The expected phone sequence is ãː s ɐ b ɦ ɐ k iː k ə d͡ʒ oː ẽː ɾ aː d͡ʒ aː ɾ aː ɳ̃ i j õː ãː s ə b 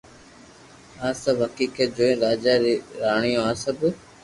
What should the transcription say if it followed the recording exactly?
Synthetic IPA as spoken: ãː s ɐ b ɦ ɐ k iː k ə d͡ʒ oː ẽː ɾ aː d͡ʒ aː ɾ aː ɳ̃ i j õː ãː s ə b